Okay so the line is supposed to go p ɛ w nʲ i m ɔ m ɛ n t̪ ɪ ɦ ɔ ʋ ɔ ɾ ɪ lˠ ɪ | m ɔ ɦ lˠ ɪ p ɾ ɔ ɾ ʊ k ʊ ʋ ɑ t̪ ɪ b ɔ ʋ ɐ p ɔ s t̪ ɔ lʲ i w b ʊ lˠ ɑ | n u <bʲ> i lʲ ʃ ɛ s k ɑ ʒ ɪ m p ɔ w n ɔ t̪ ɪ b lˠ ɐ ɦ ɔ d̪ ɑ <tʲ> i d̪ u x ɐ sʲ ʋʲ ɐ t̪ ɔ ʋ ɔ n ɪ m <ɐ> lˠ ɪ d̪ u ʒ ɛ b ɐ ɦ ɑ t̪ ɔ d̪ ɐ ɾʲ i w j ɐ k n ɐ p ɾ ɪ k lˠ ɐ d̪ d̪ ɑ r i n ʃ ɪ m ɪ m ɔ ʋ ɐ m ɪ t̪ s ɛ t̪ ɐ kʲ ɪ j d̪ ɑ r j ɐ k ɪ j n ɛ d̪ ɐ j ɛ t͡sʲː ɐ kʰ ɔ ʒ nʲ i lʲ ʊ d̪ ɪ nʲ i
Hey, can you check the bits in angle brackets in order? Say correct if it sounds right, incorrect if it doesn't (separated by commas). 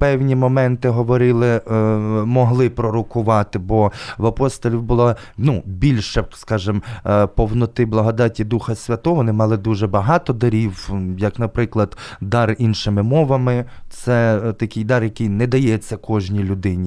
correct, correct, incorrect